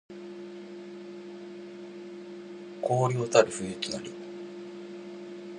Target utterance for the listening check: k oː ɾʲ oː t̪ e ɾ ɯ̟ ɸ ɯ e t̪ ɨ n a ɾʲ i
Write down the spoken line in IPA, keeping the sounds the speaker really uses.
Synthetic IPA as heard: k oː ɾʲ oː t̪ a ɾ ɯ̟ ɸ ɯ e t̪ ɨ n a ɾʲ i